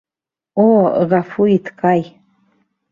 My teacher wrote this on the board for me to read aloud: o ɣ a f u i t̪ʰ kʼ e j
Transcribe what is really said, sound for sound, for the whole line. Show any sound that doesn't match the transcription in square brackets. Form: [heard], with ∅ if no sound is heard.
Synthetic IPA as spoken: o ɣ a f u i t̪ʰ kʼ [a] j